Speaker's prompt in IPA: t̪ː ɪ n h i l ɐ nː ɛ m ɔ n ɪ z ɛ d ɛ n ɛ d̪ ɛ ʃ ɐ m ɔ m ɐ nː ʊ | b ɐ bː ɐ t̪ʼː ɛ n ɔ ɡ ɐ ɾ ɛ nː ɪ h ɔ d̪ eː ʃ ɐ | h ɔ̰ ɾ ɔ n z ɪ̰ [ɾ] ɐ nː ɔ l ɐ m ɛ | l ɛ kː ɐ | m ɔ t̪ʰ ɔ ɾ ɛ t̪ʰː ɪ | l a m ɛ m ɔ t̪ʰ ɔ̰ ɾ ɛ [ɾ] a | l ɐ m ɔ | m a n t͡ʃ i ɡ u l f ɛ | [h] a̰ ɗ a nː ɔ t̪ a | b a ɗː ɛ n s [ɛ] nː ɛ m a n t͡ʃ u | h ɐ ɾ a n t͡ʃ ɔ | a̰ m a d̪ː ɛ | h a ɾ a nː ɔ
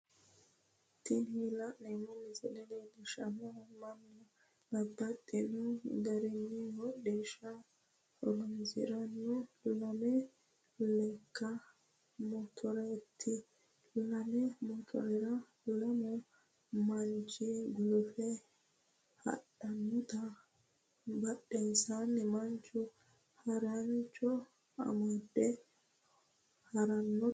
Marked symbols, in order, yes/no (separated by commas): yes, yes, yes, no